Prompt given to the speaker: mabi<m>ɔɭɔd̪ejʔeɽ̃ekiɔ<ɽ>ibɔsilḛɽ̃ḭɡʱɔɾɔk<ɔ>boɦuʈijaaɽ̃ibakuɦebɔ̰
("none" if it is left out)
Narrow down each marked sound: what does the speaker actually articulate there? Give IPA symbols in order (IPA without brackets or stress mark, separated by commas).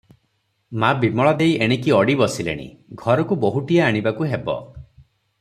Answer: m, ɽ, u